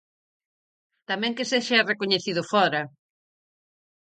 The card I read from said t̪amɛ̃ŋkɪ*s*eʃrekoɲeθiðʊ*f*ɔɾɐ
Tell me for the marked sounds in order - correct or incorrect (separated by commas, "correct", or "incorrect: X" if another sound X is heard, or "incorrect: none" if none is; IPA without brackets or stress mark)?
correct, correct